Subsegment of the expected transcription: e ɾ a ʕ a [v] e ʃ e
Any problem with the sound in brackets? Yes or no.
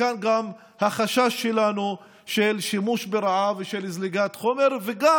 no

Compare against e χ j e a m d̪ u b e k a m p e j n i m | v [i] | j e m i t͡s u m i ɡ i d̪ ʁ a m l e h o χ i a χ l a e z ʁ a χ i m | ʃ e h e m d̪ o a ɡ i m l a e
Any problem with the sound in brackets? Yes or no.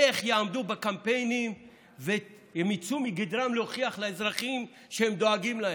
yes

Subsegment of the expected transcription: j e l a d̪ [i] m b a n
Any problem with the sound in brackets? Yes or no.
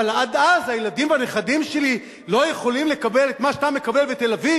no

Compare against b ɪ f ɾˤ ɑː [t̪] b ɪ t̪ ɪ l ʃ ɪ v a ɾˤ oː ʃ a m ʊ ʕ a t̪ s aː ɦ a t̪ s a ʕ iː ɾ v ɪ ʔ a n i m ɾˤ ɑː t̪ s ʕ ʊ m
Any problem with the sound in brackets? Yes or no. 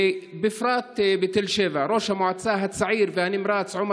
no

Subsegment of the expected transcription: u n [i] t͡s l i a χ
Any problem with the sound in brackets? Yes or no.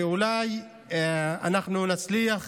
yes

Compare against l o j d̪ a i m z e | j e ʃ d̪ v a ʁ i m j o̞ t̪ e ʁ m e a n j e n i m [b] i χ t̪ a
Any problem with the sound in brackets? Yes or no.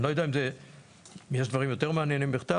no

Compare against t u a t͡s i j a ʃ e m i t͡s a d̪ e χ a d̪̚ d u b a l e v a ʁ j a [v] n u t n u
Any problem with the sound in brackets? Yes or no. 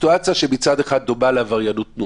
yes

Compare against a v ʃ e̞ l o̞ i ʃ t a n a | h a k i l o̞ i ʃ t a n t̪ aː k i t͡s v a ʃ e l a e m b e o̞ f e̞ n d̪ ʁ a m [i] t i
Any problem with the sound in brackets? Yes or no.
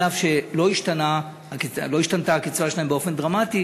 yes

